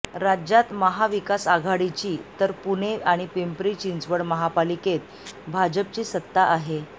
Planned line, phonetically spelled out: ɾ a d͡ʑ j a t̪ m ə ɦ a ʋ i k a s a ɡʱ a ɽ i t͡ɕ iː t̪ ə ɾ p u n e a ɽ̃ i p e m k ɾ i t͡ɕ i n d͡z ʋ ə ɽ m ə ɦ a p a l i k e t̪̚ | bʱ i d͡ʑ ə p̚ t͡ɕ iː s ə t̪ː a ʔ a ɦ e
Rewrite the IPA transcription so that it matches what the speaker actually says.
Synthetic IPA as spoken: ɾ a d͡ʑ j a t̪ m ə ɦ a ʋ i k a s a ɡʱ a ɽ i t͡ɕ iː t̪ ə ɾ p u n e a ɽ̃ i p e m p ɾ i t͡ɕ i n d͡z ʋ ə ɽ m ə ɦ a p a l i k e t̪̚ | bʱ a d͡ʑ ə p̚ t͡ɕ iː s ə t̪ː a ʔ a ɦ e